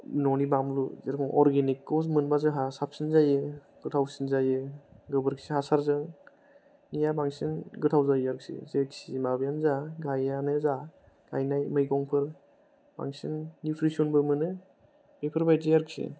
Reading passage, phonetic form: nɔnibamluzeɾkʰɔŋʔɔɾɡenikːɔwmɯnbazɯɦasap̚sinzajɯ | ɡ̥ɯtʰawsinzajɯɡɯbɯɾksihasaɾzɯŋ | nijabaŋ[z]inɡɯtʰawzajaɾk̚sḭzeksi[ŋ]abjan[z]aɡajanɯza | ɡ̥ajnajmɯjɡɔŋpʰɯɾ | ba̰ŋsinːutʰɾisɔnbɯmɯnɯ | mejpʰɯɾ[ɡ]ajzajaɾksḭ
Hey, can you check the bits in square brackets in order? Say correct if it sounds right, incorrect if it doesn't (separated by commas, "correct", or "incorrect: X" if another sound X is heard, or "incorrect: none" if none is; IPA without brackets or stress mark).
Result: incorrect: s, incorrect: m, correct, incorrect: b